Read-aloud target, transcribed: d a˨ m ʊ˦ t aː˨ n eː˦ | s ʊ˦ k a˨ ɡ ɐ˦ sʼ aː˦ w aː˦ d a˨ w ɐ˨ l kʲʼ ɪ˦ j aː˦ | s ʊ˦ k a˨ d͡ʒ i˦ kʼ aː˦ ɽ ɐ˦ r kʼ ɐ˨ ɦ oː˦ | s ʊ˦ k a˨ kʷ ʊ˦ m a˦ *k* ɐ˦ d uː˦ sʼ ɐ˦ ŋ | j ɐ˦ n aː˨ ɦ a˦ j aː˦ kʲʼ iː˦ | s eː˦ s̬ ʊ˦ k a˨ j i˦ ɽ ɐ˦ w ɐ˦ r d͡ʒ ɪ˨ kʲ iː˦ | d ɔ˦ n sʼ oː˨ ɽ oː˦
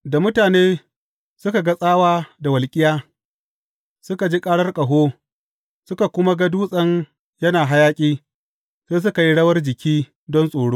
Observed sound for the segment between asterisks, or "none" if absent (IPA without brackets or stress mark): ɡ